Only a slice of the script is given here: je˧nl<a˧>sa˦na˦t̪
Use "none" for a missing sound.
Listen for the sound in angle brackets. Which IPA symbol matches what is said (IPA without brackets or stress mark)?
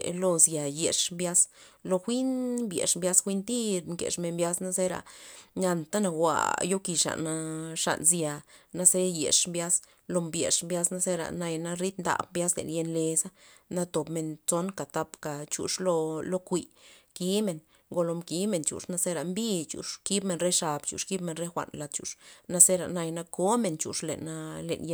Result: e˧